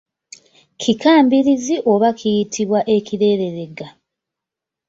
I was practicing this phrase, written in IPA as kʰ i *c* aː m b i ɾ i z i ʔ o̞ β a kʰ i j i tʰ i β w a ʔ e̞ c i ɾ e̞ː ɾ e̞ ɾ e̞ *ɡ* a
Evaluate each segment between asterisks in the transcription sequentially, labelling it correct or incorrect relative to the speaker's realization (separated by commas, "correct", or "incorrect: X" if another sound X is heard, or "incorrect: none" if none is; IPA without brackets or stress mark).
incorrect: k, correct